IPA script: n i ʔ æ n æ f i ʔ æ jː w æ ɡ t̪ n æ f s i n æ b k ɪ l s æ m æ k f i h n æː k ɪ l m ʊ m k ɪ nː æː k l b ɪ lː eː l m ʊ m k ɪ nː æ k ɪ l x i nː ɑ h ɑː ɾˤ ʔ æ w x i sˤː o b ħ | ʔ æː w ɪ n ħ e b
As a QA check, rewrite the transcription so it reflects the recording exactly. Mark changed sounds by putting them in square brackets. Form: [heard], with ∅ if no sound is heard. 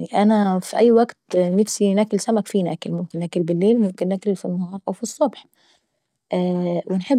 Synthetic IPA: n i ʔ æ n æ f i ʔ æ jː w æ ɡ t̪ n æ f s i n æ [∅] k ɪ l s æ m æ k f i [∅] n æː k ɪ l m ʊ m k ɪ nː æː k l b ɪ lː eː l m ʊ m k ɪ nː æ k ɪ l [f] i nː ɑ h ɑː ɾˤ ʔ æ w [f] i sˤː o b ħ | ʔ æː w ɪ n ħ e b